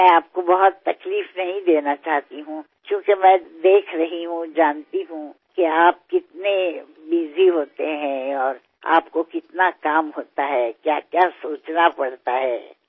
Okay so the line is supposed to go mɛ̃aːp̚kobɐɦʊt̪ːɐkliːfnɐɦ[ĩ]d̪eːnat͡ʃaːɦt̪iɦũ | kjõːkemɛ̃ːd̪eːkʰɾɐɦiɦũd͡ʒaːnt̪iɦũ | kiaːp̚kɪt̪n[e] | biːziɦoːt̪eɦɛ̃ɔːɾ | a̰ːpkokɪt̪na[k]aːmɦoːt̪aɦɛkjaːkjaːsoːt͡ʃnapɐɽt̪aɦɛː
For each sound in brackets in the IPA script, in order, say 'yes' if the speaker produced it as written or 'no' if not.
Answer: yes, yes, yes

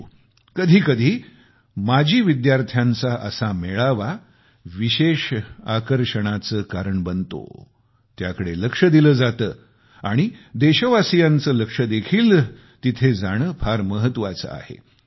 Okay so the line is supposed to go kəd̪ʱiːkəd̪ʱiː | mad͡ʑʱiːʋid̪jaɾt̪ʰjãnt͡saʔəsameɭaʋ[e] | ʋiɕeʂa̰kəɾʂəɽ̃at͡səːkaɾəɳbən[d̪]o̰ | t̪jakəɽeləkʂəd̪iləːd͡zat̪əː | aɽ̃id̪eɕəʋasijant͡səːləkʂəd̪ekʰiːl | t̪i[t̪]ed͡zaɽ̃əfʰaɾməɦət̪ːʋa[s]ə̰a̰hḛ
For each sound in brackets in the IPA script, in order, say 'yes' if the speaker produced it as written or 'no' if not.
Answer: no, no, no, no

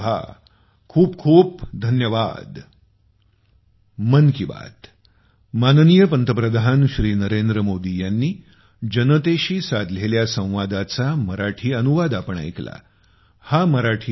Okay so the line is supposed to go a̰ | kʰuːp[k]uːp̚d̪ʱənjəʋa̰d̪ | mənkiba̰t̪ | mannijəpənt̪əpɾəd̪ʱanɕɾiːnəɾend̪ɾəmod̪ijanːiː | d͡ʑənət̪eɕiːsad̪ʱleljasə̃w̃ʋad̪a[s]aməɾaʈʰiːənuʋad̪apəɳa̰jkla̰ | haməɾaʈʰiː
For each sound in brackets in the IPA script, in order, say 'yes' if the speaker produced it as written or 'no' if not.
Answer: no, no

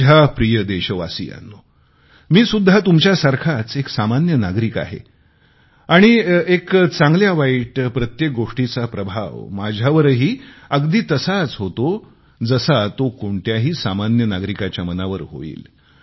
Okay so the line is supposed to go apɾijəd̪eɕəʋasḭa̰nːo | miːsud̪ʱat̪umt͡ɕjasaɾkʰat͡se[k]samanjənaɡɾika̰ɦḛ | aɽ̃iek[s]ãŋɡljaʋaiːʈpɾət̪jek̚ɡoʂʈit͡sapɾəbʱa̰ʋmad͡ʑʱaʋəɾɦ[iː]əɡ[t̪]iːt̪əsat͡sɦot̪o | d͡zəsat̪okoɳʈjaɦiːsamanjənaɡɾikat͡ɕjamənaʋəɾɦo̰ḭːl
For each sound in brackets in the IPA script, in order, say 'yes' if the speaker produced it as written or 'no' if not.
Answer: yes, no, yes, no

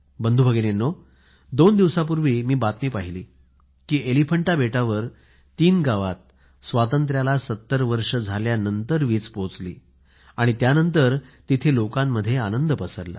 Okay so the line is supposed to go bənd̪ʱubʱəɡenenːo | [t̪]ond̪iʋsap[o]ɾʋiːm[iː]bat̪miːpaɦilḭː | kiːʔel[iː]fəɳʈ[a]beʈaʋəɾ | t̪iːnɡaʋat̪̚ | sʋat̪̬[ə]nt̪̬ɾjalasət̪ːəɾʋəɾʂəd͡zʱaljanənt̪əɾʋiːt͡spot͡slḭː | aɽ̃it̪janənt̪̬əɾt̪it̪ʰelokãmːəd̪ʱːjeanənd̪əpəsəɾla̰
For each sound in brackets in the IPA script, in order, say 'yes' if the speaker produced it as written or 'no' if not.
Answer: no, no, yes, no, yes, yes

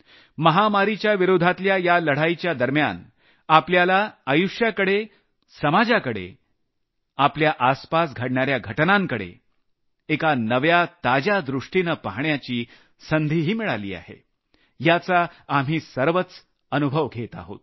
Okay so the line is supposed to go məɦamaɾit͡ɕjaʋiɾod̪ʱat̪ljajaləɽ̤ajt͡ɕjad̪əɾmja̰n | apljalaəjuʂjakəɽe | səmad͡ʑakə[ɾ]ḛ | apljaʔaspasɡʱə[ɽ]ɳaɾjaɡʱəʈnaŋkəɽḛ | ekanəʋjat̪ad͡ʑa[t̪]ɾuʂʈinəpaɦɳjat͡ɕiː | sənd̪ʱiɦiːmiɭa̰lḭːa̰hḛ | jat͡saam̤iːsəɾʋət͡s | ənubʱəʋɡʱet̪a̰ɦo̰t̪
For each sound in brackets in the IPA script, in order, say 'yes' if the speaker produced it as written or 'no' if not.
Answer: no, yes, no

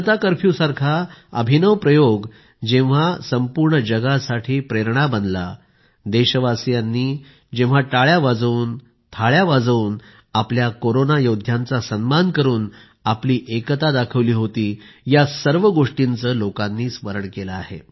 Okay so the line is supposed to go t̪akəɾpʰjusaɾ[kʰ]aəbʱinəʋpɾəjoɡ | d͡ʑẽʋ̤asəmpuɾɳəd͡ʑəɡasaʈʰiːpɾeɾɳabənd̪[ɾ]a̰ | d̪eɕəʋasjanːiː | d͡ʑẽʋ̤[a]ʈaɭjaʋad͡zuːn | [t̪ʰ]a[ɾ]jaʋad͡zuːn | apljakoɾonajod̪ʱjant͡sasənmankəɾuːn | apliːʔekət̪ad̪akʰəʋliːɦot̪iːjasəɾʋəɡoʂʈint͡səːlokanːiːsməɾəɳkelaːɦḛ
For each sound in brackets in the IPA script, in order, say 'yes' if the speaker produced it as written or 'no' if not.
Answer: yes, no, yes, yes, no

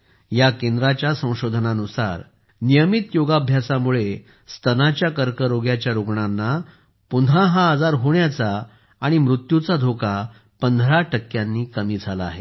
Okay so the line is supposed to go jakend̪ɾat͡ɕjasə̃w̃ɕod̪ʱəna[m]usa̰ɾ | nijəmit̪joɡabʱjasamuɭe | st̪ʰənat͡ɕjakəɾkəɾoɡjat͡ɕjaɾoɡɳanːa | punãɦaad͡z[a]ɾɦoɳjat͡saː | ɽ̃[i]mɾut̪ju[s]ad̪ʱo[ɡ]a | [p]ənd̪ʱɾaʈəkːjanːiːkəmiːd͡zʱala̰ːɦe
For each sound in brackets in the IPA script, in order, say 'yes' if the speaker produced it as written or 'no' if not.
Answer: no, yes, yes, no, no, yes

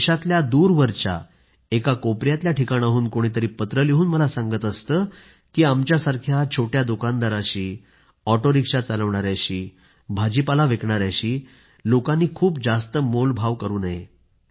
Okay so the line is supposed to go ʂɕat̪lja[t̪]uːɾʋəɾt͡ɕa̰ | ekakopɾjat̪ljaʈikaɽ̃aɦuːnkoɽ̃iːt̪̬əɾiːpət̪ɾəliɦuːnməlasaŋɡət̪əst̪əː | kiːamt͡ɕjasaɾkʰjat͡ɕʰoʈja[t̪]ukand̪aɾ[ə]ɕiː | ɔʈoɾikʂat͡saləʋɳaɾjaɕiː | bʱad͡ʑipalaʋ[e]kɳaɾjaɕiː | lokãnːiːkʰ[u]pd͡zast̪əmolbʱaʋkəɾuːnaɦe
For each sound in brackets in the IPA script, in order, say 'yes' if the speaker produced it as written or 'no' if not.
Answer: no, no, no, yes, no

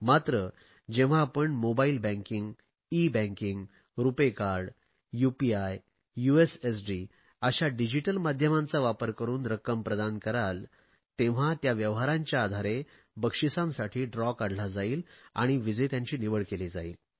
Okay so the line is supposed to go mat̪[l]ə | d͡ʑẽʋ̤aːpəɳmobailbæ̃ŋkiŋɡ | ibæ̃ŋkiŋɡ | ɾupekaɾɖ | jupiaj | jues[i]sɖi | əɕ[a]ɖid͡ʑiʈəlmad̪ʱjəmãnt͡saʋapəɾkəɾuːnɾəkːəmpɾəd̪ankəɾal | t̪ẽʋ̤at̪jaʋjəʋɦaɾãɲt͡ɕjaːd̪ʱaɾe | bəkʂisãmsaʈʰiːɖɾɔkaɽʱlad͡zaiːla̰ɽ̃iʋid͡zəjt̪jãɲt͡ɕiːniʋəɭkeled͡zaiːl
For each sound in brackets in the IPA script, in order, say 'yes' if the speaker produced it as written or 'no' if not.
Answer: no, no, yes

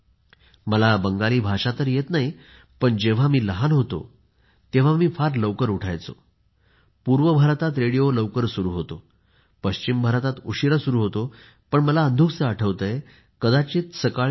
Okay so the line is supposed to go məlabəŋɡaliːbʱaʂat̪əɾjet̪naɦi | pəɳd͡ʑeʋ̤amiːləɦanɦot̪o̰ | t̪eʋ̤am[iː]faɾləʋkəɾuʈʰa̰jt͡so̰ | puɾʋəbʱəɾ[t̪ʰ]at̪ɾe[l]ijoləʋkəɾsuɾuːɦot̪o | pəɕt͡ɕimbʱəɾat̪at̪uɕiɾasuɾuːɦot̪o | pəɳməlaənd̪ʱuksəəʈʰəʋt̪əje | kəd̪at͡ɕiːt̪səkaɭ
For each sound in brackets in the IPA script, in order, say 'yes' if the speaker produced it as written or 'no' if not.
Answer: yes, no, no

